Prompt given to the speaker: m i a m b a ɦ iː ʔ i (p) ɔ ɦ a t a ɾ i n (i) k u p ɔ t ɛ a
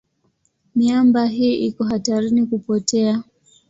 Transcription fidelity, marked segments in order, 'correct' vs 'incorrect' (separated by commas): incorrect, correct